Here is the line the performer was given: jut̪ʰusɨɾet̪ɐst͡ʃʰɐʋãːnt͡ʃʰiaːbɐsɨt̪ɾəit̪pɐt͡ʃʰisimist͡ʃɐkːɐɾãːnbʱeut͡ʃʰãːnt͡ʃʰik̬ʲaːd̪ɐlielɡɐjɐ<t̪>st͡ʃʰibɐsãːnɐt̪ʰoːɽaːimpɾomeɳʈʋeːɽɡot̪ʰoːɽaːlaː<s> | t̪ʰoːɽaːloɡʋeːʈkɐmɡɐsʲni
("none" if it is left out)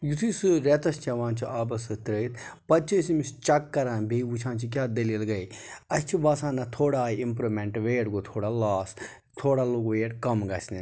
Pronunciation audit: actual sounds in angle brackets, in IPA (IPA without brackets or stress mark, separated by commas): none, s